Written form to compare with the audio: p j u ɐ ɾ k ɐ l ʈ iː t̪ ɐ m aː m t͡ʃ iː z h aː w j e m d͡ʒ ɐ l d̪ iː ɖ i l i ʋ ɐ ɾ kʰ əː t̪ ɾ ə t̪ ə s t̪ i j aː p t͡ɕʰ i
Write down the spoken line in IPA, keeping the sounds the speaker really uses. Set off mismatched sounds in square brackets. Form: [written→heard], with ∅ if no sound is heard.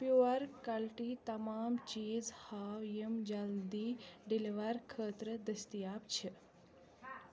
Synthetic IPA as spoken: p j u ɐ ɾ k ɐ l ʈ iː t̪ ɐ m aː m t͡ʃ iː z h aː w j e m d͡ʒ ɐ l d̪ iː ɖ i l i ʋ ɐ ɾ kʰ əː t̪ ɾ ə [t̪→d̪] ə s t̪ i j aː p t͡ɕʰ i